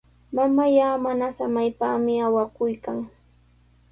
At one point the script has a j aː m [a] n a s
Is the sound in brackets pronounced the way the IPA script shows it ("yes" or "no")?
yes